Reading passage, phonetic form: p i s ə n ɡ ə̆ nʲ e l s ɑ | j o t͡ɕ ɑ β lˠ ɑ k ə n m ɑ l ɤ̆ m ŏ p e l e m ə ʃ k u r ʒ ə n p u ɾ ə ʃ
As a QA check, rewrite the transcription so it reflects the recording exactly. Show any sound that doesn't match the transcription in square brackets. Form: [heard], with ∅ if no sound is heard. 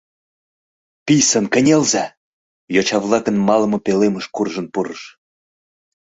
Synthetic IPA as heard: p i s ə n [k] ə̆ nʲ e l [z] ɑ | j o t͡ɕ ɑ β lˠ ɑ k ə n m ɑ l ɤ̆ m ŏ p e l e m ə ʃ k u r ʒ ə n p u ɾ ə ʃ